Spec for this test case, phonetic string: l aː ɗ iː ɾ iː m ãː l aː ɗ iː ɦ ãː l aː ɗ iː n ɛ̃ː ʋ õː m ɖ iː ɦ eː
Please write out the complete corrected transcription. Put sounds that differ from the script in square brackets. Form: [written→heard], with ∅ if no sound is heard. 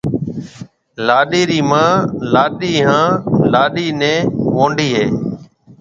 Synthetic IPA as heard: l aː ɗ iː ɾ iː m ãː l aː ɗ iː ɦ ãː l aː ɗ iː n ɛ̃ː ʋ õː [m→ɳ] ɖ iː ɦ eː